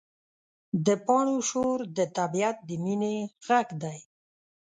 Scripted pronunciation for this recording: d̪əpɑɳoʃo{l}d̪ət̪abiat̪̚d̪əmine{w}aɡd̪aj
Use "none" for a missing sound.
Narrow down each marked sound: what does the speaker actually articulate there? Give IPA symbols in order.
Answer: ɾ, ɣ

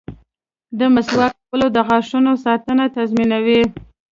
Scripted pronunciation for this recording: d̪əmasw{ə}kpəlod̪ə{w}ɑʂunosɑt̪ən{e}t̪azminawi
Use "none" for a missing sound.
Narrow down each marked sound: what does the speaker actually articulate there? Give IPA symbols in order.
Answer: ɑ, ɣ, a

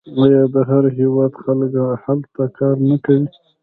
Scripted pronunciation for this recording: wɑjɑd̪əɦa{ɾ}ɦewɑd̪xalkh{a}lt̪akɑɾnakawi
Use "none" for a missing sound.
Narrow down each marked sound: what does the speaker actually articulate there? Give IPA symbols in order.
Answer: ɾ, a

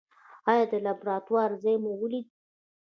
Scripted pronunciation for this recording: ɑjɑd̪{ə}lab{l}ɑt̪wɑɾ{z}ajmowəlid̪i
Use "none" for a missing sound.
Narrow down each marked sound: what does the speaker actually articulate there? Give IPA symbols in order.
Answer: ə, ɾ, z

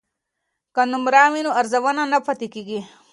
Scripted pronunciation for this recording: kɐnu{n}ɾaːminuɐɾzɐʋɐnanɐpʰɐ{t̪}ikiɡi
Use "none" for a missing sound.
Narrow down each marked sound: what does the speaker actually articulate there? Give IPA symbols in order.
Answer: m, t̪

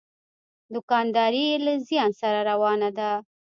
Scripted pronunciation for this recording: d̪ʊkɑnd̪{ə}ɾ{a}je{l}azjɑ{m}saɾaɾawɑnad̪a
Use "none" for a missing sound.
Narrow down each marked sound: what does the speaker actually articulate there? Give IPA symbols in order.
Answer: ɑ, i, l, n

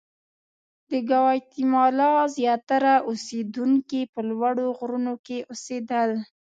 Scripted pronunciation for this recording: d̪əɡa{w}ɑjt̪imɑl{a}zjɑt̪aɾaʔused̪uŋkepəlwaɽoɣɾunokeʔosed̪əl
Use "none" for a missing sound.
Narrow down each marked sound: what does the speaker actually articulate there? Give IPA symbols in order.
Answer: w, ɑ

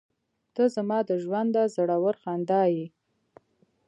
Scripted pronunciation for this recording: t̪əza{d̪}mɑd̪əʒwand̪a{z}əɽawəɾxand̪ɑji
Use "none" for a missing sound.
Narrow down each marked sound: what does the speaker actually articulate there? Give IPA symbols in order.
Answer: none, z

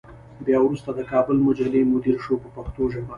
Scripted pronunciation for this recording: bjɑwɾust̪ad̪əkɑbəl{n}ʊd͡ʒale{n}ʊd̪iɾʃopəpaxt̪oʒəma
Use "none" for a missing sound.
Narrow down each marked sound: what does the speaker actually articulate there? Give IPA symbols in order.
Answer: m, m

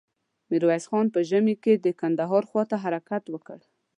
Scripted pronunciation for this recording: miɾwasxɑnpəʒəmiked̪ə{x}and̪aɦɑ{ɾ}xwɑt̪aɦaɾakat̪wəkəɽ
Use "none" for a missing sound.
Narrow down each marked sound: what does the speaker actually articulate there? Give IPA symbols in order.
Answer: k, ɾ

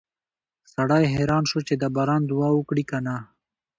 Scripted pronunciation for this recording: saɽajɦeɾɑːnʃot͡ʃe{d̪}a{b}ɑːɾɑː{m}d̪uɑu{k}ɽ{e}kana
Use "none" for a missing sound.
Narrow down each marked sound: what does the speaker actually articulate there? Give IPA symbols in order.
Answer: d̪, b, n, k, i

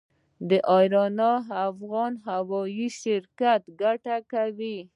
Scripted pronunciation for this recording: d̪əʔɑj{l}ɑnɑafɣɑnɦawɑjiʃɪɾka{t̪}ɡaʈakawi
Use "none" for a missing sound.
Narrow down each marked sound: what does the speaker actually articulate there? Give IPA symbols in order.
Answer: ɾ, t̪

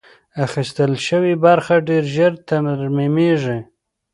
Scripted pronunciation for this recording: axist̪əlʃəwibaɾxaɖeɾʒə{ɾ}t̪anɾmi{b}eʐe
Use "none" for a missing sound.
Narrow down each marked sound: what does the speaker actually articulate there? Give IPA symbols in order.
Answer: ɾ, m

